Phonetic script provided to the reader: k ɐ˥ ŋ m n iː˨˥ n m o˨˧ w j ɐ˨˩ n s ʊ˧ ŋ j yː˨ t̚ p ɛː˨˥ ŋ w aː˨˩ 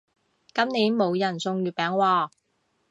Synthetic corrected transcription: k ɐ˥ m n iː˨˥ n m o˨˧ w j ɐ˨˩ n s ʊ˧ ŋ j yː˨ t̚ p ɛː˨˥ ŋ w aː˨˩